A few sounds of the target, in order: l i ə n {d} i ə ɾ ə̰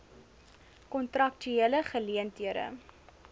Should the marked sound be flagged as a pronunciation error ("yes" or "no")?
yes